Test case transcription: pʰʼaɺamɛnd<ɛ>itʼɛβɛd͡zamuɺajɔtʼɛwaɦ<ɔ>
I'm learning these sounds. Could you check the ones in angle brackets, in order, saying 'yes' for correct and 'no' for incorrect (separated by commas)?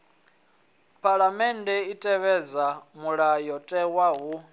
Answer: yes, no